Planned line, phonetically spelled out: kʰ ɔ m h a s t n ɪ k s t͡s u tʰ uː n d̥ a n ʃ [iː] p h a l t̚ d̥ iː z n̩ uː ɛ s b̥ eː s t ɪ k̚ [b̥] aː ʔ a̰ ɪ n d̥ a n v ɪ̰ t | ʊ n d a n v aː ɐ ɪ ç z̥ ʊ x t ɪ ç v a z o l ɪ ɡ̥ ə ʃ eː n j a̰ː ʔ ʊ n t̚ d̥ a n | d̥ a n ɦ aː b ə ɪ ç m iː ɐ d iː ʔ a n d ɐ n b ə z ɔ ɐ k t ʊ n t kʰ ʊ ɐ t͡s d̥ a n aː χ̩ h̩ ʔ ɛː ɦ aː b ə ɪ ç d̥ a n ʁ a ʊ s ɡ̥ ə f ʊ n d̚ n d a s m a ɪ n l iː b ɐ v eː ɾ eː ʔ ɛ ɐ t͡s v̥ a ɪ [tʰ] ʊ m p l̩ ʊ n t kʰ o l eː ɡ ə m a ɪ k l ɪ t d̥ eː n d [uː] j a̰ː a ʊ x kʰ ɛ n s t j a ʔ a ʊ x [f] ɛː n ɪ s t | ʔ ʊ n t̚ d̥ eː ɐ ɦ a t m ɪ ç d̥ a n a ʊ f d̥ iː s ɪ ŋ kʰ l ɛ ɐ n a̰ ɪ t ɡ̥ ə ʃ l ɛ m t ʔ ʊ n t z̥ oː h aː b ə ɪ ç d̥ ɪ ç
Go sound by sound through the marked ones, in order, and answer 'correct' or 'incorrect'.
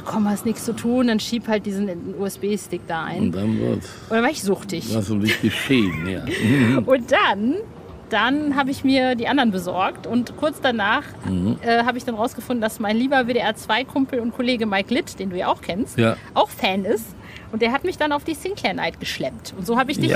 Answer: correct, incorrect, incorrect, correct, correct

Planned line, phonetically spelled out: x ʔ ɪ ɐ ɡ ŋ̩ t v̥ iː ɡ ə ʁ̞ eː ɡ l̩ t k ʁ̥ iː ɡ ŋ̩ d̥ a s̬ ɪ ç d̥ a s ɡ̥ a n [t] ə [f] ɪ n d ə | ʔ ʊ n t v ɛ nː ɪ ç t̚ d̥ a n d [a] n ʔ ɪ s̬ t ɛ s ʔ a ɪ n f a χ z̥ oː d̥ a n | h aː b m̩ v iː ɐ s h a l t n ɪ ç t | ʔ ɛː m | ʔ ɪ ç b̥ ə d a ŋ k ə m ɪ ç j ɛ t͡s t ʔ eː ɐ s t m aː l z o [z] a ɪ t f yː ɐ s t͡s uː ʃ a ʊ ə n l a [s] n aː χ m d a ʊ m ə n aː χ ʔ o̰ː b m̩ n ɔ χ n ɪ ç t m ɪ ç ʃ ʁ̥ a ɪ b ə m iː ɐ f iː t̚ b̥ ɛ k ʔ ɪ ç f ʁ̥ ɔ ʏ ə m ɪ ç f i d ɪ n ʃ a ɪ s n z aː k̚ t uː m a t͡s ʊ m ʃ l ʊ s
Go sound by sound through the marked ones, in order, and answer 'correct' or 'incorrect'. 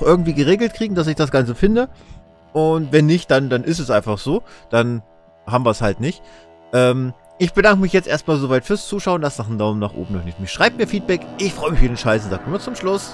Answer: incorrect, correct, correct, incorrect, correct

